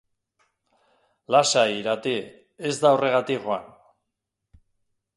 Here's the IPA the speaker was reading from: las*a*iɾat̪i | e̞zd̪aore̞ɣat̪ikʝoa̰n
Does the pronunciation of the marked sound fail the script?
no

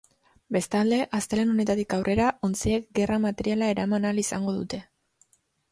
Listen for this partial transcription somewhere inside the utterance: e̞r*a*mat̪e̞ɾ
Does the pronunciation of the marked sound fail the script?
no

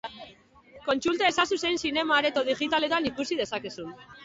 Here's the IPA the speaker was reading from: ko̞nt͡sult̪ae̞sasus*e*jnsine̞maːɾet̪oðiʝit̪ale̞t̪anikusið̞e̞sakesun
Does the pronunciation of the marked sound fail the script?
no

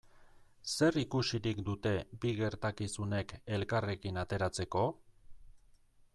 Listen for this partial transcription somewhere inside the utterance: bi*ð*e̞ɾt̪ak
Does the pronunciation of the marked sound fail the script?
yes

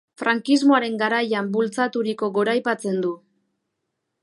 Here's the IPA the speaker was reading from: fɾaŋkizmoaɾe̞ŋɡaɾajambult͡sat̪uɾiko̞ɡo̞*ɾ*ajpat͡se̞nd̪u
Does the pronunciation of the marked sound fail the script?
no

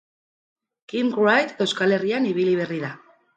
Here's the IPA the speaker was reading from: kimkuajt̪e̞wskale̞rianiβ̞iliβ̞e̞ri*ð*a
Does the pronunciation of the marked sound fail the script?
no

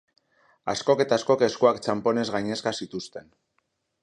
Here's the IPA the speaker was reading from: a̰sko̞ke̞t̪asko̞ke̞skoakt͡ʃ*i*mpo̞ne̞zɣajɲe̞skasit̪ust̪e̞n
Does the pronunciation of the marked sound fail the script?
yes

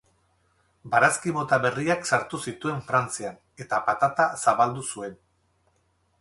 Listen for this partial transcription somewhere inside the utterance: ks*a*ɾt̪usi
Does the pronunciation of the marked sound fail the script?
no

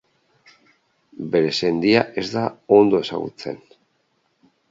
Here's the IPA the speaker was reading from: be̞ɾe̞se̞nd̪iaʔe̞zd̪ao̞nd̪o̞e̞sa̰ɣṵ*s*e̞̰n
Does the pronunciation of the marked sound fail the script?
yes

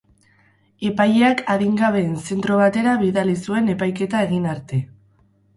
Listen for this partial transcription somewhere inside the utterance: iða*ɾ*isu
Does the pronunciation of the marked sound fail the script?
yes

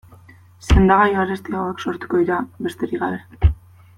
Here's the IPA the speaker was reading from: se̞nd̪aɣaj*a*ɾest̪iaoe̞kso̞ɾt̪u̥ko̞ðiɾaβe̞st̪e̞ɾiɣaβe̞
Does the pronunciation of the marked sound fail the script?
no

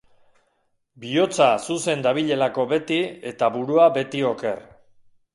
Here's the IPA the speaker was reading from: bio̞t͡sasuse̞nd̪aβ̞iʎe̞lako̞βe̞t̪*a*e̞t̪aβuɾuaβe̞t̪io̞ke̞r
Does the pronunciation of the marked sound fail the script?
yes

